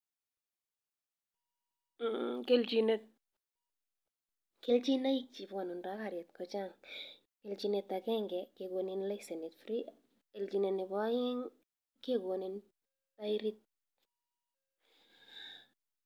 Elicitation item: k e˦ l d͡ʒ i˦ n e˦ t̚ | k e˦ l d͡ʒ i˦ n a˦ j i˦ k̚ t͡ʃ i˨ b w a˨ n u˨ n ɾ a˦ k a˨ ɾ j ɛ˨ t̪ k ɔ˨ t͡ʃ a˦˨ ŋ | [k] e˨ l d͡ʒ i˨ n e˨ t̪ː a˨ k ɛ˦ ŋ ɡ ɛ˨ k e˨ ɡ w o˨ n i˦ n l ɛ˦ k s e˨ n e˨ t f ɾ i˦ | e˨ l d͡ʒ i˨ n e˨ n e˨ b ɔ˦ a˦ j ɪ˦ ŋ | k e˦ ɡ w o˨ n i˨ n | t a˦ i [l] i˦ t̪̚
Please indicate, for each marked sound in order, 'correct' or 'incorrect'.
correct, incorrect: ɾ

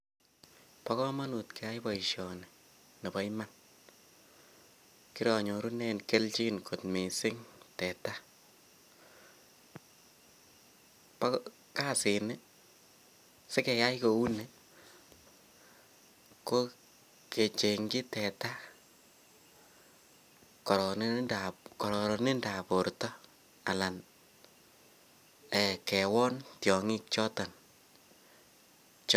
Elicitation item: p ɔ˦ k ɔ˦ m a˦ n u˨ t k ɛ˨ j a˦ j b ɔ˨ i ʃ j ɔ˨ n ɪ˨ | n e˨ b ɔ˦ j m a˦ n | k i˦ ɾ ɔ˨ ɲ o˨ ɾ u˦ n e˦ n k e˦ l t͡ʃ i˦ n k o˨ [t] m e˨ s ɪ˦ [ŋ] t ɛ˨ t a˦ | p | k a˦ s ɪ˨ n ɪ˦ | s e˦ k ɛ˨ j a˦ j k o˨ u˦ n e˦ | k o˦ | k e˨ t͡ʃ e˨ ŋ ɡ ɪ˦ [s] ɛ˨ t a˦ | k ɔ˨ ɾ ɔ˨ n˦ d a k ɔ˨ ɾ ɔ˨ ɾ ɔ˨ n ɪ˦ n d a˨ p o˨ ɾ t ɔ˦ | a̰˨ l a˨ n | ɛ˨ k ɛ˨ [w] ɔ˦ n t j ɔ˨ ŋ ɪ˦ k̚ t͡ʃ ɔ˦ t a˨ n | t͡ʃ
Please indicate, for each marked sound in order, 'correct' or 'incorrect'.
correct, correct, incorrect: t, correct

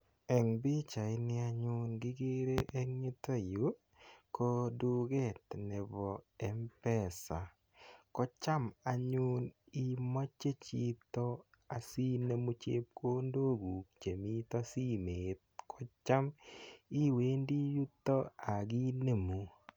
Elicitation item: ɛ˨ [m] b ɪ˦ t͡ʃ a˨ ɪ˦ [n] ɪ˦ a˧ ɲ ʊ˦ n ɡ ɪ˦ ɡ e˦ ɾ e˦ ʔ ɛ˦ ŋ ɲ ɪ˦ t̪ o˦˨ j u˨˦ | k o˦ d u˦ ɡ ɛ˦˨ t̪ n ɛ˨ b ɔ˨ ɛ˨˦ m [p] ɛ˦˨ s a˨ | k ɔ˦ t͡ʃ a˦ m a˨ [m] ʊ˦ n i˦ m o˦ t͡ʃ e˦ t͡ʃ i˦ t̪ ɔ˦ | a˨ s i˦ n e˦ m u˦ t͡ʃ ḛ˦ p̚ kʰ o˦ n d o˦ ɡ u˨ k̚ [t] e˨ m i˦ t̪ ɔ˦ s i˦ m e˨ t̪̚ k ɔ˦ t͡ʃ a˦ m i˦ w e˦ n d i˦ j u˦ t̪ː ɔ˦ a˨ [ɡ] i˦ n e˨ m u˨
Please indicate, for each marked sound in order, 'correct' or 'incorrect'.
incorrect: ŋ, correct, correct, incorrect: ɲ, incorrect: t͡ʃ, correct

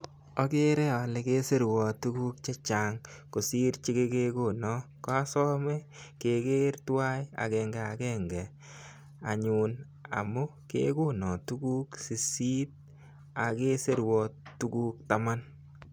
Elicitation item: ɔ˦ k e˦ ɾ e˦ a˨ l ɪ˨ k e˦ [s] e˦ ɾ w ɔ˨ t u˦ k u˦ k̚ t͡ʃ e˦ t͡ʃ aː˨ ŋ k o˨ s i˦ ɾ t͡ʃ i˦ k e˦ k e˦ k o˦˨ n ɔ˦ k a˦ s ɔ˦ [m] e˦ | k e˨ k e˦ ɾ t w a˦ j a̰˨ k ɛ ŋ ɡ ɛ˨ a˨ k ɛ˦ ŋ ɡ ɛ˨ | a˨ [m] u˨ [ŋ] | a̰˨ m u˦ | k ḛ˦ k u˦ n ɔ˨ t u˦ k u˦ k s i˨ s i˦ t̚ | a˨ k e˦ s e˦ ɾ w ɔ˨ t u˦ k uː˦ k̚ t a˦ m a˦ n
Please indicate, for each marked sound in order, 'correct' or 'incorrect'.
correct, correct, incorrect: ɲ, incorrect: n

